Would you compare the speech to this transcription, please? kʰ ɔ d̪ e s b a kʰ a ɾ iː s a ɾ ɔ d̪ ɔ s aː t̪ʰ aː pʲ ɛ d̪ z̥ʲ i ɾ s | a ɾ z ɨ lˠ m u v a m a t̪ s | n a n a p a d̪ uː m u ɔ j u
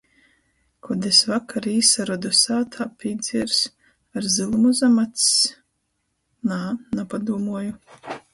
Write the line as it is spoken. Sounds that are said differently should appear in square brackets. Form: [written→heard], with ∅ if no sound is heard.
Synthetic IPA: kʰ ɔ d̪ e s [b→v] a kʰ a ɾ iː s a ɾ ɔ d̪ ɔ s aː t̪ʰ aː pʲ [ɛ→i] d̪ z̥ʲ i ɾ s | a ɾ z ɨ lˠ m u [v→z] a m a t̪ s | n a n a p a d̪ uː m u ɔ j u